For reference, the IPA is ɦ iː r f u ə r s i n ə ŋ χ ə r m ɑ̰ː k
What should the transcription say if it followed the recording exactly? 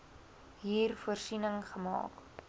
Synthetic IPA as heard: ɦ iː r f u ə r s i n ə ŋ χ ə m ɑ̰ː k